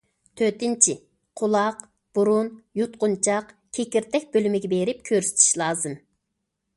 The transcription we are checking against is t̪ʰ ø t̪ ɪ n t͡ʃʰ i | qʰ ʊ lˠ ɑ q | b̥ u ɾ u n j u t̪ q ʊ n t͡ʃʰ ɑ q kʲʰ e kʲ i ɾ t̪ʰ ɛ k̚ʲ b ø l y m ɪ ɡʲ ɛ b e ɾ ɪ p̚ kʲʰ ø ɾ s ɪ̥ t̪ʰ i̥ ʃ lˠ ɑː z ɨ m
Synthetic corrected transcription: t̪ʰ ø t̪ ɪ n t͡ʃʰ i | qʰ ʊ lˠ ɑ q | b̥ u ɾ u n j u t̪ q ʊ n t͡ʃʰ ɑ q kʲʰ e kʲ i ɾ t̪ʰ ɛ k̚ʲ b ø l y m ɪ ɡʲ ɛ b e ɾ ɪ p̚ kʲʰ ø ɾ s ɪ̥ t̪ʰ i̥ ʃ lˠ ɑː z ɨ m